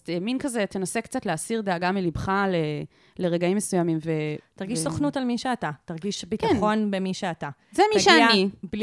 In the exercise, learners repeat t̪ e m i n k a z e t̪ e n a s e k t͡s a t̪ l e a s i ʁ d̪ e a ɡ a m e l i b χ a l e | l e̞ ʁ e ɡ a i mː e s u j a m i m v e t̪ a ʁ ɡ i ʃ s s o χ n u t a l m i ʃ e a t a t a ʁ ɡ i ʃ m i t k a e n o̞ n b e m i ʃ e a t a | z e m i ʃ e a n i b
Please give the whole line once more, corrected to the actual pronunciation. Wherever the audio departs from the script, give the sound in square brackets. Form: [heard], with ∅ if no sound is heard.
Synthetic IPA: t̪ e m i n k a z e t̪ e n a s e k t͡s a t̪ l e a s i ʁ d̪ e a ɡ a m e l i b χ a l e | l e̞ ʁ e ɡ a i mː e s u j a m i m v e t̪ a ʁ ɡ i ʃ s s o χ n u t a l m i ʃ e a t a t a ʁ ɡ i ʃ [b] i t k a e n o̞ n b e m i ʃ e a t a | z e m i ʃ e a n i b